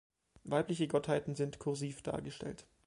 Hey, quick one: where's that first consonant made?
lips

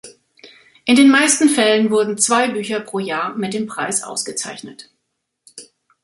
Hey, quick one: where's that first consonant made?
throat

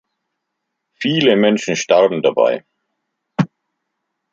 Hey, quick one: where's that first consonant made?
lips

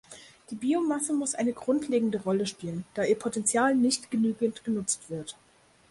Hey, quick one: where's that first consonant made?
tongue tip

